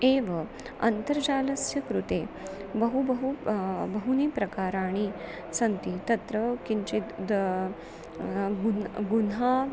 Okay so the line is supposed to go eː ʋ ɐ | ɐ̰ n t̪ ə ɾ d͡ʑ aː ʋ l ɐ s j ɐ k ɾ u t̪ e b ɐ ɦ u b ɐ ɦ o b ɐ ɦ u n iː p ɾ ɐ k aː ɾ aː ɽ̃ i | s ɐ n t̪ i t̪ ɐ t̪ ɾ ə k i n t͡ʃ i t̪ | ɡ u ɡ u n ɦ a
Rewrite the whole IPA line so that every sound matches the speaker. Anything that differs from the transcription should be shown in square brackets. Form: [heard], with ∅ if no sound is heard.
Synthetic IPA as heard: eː ʋ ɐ | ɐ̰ n t̪ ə ɾ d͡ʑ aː [∅] l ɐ s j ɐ k ɾ u t̪ e b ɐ ɦ u b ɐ ɦ [u] b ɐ ɦ u n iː p ɾ ɐ k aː ɾ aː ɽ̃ i | s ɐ n t̪ i t̪ ɐ t̪ ɾ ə k i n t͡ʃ i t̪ | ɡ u ɡ u n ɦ a